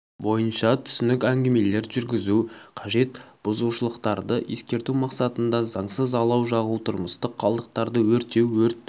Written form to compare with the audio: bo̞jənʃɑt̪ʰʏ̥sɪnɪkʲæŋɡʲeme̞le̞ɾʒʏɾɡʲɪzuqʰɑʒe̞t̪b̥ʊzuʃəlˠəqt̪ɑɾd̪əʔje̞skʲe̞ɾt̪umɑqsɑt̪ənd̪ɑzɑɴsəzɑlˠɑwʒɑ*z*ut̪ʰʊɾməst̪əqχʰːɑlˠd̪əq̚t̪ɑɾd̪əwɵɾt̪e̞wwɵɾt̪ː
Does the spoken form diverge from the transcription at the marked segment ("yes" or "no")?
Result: yes